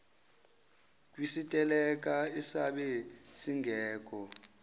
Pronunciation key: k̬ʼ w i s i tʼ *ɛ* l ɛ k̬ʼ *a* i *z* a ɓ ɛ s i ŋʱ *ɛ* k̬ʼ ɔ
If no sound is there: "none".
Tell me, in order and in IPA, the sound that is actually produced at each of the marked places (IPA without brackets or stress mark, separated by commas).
ɛ, a, s, ɛː